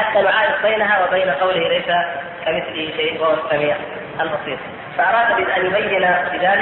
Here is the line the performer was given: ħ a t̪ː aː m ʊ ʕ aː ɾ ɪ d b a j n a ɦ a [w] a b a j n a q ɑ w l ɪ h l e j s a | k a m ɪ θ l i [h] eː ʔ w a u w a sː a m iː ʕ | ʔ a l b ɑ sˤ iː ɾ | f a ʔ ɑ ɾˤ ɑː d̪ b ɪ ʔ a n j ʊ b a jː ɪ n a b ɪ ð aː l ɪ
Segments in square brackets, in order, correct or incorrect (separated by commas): correct, incorrect